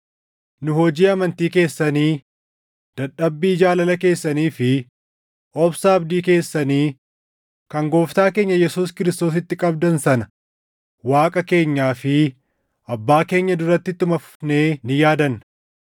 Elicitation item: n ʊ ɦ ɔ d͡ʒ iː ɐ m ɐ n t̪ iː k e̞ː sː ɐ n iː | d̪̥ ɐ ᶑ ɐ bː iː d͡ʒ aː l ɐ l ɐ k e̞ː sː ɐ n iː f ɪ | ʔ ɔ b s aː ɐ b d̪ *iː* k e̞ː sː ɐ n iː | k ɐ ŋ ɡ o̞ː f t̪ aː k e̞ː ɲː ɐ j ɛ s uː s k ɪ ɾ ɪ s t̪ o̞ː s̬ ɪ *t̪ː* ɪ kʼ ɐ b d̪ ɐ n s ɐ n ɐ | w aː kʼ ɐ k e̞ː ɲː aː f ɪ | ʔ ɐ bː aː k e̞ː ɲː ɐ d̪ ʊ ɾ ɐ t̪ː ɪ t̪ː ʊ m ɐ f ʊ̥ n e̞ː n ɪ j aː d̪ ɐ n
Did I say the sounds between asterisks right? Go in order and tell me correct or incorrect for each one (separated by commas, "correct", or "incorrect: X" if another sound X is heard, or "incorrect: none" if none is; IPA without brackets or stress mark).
correct, correct